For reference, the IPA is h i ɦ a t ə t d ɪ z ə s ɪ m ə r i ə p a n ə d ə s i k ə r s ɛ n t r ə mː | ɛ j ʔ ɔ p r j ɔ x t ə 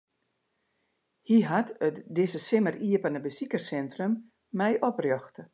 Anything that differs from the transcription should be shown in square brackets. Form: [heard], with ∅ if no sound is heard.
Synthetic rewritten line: h i ɦ a t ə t d ɪ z ə s ɪ m ə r i ə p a n ə [b] ə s i k ə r s ɛ n t r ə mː | ɛ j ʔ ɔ p r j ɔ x t ə